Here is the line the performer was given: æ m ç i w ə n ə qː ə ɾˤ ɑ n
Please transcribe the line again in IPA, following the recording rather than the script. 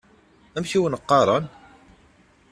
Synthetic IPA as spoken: æ m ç i w ə n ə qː ɑ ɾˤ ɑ n